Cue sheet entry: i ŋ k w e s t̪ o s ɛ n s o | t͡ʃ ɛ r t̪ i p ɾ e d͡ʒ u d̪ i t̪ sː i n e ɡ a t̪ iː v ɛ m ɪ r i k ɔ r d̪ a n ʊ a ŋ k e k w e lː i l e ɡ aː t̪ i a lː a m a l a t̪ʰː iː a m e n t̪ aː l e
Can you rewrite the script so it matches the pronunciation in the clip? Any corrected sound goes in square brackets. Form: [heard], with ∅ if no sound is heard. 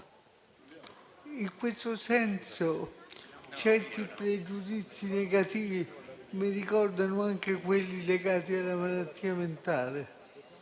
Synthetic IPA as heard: i ŋ k w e s t̪ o s ɛ n s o | t͡ʃ ɛ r t̪ i p ɾ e d͡ʒ u d̪ i t̪ sː i n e ɡ a t̪ iː v [i] m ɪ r i k ɔ r d̪ a n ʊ a ŋ k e k w e lː i l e ɡ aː t̪ i a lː a m a l a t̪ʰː iː a m e n t̪ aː l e